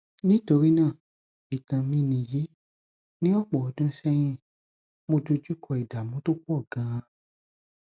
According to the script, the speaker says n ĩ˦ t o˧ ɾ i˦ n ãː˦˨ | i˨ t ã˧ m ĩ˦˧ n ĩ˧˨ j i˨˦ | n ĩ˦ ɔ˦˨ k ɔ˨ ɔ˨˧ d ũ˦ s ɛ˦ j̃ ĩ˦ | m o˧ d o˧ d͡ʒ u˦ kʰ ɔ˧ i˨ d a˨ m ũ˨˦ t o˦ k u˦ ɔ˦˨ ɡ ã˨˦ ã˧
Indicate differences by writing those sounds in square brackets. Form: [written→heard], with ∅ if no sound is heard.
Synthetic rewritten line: n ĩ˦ t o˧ ɾ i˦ n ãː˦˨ | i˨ t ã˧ m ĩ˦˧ n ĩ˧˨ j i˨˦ | n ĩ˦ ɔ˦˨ [k→k͡p] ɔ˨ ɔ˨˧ d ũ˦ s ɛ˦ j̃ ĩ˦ | m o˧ d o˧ d͡ʒ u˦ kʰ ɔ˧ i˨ d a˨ m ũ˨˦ t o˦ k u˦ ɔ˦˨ ɡ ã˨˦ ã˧